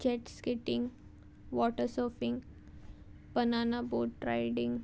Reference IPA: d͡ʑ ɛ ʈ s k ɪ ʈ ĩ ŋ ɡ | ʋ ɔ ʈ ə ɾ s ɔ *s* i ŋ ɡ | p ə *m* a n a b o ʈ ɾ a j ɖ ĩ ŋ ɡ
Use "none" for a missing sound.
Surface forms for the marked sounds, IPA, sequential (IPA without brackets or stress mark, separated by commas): f, n